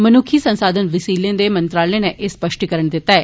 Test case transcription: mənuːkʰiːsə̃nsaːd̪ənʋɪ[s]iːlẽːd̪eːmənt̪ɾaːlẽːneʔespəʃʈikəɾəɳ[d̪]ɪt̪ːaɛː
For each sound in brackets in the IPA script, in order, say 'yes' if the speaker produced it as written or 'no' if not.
yes, yes

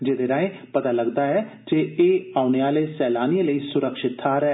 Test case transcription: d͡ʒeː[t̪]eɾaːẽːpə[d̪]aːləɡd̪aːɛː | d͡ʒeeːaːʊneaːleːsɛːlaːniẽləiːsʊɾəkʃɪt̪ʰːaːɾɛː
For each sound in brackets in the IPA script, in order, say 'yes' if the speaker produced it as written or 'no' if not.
no, no

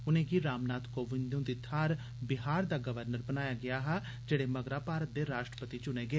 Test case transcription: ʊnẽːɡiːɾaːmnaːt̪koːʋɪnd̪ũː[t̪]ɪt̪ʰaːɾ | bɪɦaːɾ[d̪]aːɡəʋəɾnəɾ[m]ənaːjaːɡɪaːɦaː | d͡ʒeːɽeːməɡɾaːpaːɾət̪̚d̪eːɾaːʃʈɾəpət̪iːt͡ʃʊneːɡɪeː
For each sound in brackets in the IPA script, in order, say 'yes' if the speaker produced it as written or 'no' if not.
no, yes, no

